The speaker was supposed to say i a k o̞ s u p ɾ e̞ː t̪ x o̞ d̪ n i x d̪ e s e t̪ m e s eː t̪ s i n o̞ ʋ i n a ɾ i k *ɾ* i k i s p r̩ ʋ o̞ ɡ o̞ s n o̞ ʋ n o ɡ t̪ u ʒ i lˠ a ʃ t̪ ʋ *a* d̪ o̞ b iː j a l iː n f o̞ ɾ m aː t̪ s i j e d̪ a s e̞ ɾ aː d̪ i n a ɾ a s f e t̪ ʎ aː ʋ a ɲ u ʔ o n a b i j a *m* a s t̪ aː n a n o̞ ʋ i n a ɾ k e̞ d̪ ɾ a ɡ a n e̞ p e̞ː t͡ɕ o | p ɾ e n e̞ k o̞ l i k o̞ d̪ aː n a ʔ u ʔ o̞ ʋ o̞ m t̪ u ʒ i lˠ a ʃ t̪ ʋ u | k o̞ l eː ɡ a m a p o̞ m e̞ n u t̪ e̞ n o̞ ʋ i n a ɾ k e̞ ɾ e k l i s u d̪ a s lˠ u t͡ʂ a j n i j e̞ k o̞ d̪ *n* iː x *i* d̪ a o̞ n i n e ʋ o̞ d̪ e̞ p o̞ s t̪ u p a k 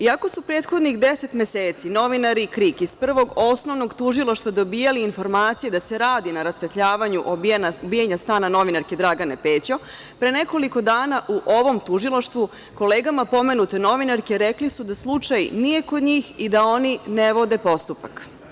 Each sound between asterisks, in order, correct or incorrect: correct, correct, incorrect, incorrect, correct

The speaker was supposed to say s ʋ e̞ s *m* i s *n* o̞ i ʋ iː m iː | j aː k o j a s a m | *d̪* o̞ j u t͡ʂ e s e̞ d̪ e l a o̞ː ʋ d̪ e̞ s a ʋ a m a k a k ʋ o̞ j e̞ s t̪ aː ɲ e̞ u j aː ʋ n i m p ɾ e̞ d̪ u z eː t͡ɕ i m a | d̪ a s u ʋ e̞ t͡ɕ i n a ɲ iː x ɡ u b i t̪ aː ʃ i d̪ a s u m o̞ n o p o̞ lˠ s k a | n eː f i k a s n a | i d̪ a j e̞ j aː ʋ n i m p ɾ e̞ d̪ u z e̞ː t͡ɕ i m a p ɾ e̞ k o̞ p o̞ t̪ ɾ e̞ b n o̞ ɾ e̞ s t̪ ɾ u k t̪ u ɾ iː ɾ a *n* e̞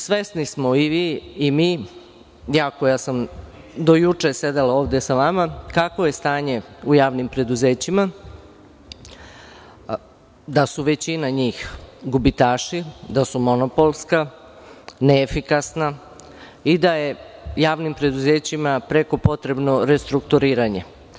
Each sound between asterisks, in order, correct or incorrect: incorrect, incorrect, correct, incorrect

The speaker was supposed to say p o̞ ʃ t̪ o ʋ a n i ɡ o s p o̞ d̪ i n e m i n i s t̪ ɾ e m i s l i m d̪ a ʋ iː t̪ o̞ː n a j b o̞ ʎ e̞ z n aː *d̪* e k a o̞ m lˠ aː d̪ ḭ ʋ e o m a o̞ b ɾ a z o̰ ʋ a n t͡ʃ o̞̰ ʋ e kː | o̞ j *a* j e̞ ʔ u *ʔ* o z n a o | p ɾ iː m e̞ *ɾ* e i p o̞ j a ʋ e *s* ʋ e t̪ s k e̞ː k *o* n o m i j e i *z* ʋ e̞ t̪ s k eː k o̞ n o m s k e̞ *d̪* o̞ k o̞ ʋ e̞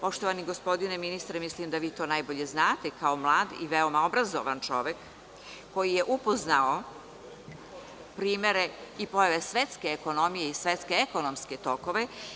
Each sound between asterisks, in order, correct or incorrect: incorrect, incorrect, incorrect, correct, correct, correct, incorrect, incorrect

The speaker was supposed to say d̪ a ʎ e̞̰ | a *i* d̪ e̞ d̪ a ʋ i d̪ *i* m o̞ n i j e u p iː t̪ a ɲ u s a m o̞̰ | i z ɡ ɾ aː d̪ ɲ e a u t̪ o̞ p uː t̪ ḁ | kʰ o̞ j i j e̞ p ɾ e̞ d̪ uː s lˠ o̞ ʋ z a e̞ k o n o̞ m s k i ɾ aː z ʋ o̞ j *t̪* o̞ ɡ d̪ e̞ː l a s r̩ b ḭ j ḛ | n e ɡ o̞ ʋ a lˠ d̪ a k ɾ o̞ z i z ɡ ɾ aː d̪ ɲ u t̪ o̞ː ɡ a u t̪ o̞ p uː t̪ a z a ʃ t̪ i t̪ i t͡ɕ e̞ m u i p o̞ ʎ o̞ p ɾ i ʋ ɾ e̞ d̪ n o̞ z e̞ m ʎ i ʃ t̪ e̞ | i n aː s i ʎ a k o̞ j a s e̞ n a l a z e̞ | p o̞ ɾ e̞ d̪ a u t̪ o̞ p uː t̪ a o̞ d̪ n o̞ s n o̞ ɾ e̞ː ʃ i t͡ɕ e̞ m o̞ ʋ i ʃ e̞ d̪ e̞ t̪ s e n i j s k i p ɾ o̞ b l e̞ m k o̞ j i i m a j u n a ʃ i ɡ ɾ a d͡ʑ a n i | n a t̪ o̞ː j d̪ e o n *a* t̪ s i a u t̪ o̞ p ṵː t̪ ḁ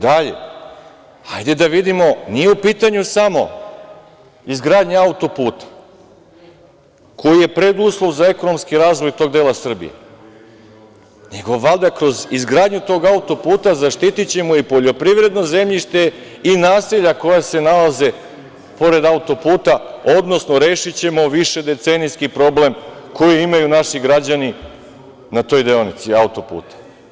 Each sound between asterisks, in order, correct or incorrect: incorrect, correct, correct, incorrect

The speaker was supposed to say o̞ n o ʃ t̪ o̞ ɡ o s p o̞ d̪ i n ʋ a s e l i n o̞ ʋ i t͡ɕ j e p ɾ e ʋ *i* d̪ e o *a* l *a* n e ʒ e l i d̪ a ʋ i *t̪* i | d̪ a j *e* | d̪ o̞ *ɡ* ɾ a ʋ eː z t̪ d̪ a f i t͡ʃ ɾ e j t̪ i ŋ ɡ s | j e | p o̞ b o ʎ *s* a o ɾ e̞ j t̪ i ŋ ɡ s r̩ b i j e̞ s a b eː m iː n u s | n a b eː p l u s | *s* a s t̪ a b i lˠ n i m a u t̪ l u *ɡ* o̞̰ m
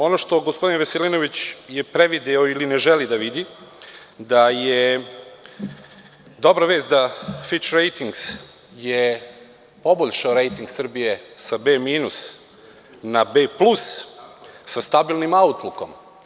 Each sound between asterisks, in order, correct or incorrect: correct, incorrect, incorrect, incorrect, correct, incorrect, incorrect, correct, incorrect

